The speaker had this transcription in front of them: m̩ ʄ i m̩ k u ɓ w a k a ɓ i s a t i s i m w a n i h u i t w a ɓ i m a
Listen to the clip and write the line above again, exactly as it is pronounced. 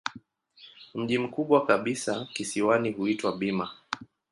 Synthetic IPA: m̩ ʄ i m̩ k u ɓ w a k a ɓ i s a k i s i w a n i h u i t w a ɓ i m a